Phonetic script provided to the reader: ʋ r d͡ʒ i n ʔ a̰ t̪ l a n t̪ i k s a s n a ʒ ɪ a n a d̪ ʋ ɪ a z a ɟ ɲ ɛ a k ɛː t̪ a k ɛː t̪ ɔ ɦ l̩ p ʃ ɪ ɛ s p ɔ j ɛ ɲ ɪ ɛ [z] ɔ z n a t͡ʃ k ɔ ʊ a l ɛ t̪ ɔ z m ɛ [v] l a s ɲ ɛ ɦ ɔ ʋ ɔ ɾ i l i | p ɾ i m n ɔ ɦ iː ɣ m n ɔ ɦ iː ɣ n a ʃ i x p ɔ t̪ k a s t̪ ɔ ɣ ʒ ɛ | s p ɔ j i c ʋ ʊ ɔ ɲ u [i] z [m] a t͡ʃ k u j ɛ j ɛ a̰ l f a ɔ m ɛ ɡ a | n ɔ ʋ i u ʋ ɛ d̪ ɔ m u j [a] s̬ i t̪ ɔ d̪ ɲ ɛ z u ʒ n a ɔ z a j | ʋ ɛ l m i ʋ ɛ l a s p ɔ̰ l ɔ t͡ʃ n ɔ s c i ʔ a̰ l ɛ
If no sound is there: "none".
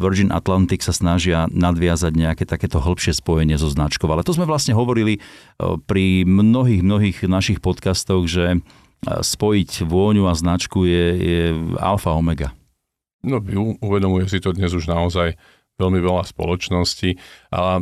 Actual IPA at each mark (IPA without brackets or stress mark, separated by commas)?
z, ʋ, a, n, ɛ